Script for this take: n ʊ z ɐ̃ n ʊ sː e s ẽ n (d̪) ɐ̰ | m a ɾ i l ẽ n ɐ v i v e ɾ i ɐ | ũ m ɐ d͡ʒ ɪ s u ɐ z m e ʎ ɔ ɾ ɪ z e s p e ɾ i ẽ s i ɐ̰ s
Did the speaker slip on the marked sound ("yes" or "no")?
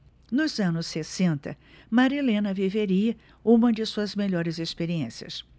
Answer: yes